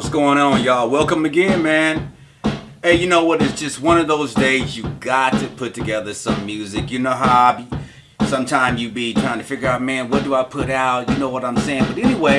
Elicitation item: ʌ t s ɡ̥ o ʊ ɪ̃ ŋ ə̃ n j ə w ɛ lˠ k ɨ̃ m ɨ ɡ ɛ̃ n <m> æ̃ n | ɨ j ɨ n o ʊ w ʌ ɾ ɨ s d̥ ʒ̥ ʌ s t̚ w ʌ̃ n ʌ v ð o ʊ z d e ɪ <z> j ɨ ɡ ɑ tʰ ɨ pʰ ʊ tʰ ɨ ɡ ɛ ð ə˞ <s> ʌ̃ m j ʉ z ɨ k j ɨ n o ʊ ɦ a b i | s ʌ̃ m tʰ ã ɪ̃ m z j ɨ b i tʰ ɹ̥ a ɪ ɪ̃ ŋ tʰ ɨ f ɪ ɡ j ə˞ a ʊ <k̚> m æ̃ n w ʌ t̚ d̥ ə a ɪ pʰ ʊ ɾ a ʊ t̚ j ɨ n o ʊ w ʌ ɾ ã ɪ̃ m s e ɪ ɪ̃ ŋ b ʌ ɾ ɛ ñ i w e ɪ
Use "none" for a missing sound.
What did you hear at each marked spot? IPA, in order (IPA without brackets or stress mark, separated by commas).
m, z, s, t̚